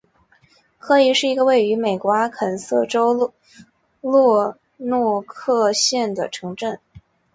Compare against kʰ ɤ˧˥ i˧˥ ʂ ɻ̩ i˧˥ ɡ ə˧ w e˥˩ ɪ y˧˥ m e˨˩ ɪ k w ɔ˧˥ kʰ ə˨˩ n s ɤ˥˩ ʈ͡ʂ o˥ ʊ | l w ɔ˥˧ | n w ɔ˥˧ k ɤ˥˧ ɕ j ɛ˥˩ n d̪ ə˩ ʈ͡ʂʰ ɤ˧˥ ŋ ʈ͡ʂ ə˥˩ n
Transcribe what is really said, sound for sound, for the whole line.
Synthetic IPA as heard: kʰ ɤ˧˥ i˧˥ ʂ ɻ̩ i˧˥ ɡ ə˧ w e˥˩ ɪ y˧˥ m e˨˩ ɪ k w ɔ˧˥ kʰ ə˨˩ n s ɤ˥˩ ʈ͡ʂ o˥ ʊ | l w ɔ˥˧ | n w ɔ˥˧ kʰ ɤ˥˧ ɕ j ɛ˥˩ n d̪ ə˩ ʈ͡ʂʰ ɤ˧˥ ŋ ʈ͡ʂ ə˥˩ n

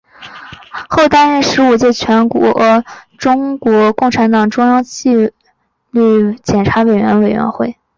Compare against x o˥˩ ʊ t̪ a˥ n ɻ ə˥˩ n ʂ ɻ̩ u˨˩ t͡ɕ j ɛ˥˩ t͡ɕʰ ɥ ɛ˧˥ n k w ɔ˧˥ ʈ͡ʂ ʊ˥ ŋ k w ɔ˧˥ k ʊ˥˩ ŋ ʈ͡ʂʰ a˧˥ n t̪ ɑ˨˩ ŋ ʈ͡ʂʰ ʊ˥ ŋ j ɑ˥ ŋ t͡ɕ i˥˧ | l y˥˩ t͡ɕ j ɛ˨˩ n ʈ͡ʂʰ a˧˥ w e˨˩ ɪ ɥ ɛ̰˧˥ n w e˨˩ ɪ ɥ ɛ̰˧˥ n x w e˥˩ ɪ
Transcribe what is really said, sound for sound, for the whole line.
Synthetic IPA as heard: x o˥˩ ʊ t̪ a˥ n ɻ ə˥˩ n ʂ ɻ̩ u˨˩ t͡ɕ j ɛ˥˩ t͡ɕʰ ɥ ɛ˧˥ n k w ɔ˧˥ ʈ͡ʂ ʊ˥ ŋ k w ɔ˧˥ k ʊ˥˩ ŋ ʈ͡ʂʰ a˧˥ n t̪ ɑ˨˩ ŋ ʈ͡ʂ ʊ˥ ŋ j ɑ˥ ŋ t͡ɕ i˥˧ | l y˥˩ t͡ɕ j ɛ˨˩ n ʈ͡ʂʰ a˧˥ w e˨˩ ɪ ɥ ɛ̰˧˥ n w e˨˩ ɪ ɥ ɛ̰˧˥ n x w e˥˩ ɪ

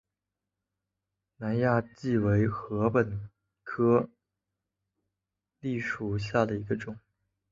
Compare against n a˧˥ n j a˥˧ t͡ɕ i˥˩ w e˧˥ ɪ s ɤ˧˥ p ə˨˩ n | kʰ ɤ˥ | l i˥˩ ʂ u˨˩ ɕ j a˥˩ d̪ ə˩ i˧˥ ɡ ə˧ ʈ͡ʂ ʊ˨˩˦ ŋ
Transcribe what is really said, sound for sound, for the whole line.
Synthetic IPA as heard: n a˧˥ n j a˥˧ t͡ɕ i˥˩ w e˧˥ ɪ x ɤ˧˥ p ə˨˩ n | kʰ ɤ˥ | l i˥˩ ʂ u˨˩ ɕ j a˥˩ d̪ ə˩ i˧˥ ɡ ə˧ ʈ͡ʂ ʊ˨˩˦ ŋ

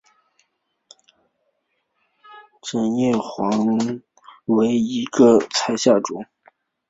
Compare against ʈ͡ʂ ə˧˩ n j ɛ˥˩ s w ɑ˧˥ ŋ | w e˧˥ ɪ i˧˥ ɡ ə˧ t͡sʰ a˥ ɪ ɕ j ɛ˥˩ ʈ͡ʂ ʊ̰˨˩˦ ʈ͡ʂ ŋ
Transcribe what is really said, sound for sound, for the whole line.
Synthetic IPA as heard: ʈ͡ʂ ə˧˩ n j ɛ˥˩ x w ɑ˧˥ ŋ | w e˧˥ ɪ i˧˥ ɡ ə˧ t͡sʰ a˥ ɪ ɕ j a˥˩ ʈ͡ʂ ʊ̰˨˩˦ ŋ

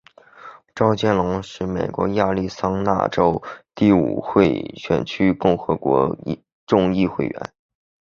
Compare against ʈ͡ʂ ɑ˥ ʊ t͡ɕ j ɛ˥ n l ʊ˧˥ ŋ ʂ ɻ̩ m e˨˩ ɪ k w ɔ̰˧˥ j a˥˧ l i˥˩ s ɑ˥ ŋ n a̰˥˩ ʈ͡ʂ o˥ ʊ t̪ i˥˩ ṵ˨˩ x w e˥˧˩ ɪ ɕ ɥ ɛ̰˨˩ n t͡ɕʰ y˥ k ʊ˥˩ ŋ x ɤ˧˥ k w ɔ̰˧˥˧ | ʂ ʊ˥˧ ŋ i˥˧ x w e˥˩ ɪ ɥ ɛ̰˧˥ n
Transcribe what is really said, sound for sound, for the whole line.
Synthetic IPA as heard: ʈ͡ʂ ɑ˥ ʊ t͡ɕ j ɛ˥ n l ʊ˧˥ ŋ ʂ ɻ̩ m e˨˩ ɪ k w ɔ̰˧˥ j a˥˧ l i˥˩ s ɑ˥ ŋ n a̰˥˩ ʈ͡ʂ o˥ ʊ t̪ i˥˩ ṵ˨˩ x w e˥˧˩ ɪ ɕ ɥ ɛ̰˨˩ n t͡ɕʰ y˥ k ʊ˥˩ ŋ x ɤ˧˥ k w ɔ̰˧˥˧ | ʈ͡ʂ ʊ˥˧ ŋ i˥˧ x w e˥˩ ɪ ɥ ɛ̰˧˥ n

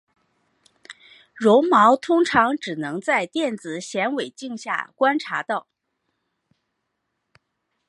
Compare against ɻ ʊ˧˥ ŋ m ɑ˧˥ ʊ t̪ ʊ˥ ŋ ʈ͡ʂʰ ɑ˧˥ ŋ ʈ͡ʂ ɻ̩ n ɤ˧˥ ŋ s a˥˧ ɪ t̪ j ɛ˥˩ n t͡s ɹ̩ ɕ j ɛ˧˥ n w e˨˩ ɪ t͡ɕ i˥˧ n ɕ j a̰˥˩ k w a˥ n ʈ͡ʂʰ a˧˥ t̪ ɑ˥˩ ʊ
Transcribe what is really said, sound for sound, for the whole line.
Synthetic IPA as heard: ɻ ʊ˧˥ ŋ m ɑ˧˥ ʊ t̪ʰ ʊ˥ ŋ ʈ͡ʂʰ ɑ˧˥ ŋ ʈ͡ʂ ɻ̩ n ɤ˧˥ ŋ t͡s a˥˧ ɪ t̪ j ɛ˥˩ n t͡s ɹ̩ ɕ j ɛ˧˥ n w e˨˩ ɪ t͡ɕ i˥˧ ŋ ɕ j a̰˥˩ k w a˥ n ʈ͡ʂʰ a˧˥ t̪ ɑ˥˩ ʊ

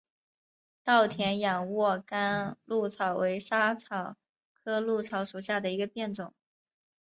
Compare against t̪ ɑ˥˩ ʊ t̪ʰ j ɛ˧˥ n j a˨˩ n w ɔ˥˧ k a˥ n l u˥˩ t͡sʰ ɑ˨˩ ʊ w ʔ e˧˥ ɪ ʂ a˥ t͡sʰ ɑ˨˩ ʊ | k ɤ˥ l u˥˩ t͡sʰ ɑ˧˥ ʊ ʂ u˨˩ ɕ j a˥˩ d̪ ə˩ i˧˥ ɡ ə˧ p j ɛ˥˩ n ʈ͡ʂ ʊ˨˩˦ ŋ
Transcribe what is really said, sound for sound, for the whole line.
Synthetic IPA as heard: t̪ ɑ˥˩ ʊ t̪ʰ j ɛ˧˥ n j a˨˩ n w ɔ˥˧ k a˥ n l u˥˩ t͡sʰ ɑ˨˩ ʊ w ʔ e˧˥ ɪ ʂ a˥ t͡sʰ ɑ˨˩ ʊ | kʰ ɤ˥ l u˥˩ t͡sʰ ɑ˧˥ ʊ ʂ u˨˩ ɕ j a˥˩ d̪ ə˩ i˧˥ ɡ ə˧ p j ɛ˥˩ n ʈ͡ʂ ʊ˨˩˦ ŋ

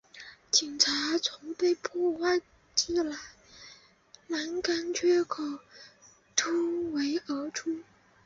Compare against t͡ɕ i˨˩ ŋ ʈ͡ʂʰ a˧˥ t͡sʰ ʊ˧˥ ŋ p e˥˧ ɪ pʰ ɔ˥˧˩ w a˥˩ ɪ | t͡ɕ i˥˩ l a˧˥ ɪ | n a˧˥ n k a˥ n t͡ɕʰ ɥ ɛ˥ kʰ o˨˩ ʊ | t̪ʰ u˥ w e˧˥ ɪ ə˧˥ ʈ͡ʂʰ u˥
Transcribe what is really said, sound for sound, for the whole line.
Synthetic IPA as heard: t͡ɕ i˨˩ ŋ ʈ͡ʂʰ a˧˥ t͡sʰ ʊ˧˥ ŋ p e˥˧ ɪ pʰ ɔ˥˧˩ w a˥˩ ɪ | t͡ɕ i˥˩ l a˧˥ ɪ | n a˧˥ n k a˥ n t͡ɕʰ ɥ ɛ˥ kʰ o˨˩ ʊ | t̪ʰ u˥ w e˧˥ ɪ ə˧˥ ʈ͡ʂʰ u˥

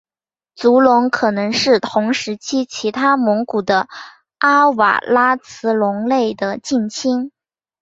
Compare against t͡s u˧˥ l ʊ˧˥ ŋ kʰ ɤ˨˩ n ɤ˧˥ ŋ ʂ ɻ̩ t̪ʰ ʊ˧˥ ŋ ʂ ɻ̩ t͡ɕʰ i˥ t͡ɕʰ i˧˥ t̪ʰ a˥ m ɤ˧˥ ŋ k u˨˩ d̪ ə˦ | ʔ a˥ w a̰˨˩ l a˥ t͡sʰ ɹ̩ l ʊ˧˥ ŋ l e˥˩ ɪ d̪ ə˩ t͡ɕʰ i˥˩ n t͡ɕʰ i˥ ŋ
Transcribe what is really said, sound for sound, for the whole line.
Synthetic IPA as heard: t͡s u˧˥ l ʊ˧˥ ŋ kʰ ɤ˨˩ n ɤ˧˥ ŋ ʂ ɻ̩ t̪ʰ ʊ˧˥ ŋ ʂ ɻ̩ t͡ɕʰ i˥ t͡ɕʰ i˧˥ t̪ʰ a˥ m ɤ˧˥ ŋ k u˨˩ d̪ ə˦ | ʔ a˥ w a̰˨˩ l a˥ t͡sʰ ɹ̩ l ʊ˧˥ ŋ l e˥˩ ɪ d̪ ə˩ t͡ɕ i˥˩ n t͡ɕʰ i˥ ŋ

